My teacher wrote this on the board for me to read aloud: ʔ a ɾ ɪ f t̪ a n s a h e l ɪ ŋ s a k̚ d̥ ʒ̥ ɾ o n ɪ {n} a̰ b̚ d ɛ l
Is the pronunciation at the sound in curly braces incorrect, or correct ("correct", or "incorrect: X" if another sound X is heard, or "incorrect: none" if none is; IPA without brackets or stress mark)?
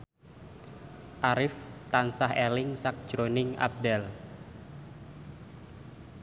incorrect: ŋ